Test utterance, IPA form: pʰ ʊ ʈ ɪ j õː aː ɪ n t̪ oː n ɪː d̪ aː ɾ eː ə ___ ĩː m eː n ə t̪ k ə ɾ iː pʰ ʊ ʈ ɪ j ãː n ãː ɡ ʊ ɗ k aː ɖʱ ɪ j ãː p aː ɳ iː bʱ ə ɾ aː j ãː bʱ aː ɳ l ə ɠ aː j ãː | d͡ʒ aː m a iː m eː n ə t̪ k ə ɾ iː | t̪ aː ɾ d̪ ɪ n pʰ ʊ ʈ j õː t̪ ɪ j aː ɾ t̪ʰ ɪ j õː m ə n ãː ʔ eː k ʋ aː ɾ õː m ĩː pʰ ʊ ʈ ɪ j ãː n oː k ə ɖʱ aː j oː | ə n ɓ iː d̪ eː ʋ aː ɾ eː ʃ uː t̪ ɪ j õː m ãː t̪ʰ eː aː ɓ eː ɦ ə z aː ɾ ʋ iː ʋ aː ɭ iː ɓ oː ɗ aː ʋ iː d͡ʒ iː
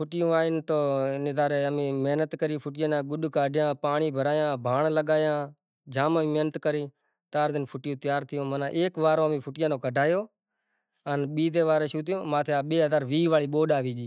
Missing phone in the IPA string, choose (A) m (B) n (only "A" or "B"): A